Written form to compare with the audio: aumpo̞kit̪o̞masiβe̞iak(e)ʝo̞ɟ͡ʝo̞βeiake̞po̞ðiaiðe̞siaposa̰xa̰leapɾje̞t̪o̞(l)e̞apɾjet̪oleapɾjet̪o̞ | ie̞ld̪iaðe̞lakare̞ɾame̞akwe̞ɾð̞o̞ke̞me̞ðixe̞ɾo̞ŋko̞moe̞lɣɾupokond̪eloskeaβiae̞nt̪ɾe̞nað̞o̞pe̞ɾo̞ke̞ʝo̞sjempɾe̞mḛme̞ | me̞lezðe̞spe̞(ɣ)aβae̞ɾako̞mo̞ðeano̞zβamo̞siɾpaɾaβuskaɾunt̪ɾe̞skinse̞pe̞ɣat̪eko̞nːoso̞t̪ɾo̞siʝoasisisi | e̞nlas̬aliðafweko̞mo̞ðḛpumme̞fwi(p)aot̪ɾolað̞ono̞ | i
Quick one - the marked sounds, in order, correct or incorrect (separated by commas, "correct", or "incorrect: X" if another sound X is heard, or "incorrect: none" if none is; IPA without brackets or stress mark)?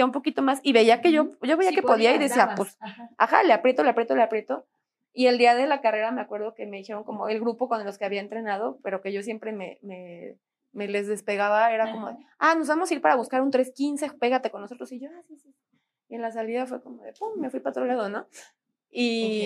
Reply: correct, correct, correct, correct